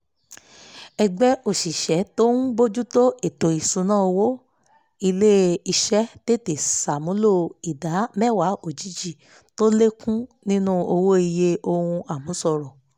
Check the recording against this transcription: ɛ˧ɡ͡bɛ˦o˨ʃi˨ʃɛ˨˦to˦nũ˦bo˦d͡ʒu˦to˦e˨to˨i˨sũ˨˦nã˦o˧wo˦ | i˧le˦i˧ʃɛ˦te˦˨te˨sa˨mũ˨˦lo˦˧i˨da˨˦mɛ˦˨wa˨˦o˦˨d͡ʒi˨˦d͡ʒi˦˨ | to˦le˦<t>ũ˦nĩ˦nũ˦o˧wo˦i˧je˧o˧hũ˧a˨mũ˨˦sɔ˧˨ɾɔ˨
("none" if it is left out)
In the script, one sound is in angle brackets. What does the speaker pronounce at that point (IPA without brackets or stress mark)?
k